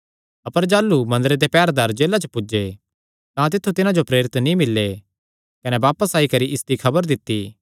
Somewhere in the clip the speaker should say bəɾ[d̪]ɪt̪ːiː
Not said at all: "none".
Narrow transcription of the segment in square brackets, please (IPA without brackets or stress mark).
d̪